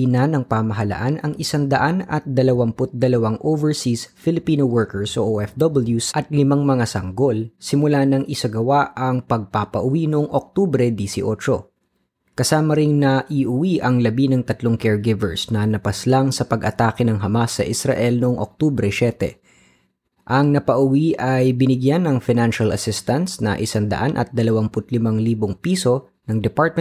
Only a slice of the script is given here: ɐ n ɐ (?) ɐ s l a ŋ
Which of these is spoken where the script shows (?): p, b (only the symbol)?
p